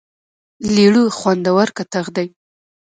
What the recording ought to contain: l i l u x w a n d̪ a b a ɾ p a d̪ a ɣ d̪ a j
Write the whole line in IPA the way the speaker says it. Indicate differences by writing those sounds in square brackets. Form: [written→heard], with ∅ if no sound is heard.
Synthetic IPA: l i [l→ɽ] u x w a n d̪ a [b→w] a ɾ [p→k] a [d̪→t̪] a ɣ d̪ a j